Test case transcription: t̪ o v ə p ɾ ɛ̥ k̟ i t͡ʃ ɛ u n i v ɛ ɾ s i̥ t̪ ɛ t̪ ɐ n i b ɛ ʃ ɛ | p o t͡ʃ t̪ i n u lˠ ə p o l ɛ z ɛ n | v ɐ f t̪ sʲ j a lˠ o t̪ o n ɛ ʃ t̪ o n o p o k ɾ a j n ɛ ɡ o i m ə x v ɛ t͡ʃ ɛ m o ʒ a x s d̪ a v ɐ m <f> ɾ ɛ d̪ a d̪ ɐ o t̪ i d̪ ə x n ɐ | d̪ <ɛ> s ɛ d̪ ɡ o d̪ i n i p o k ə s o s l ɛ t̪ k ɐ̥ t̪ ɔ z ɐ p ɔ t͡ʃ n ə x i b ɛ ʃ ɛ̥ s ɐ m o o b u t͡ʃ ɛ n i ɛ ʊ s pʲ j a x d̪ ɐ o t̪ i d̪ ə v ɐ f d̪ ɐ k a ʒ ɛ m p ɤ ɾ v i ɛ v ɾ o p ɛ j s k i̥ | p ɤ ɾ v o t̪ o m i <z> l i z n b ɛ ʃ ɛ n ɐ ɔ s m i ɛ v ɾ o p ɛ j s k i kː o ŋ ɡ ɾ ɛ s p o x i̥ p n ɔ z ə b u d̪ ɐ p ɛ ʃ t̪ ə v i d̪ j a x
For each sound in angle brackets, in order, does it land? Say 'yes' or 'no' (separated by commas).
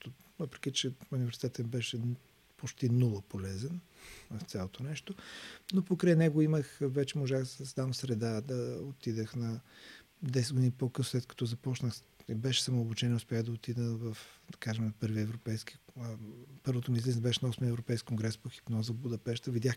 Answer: no, yes, yes